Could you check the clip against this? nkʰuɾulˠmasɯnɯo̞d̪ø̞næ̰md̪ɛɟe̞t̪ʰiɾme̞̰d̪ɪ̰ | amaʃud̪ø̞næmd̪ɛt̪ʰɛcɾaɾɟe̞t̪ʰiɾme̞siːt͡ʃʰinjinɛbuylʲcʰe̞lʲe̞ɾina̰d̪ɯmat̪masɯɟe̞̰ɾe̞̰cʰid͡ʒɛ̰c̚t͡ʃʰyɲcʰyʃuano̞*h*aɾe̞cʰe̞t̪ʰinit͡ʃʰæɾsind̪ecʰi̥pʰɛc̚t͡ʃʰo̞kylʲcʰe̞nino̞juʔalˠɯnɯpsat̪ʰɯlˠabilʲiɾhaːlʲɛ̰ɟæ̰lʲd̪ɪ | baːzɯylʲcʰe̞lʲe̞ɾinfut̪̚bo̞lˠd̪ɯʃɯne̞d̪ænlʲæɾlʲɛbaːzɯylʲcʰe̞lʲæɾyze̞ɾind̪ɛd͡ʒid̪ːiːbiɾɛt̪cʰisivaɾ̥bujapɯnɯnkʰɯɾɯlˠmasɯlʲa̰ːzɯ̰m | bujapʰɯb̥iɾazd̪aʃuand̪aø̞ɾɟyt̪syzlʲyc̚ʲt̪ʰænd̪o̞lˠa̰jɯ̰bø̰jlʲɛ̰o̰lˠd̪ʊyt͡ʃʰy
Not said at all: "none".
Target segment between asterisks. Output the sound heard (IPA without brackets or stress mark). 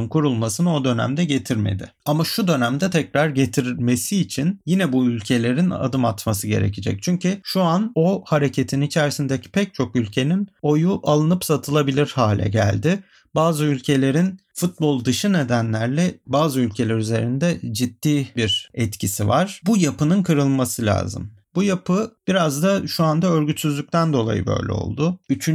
h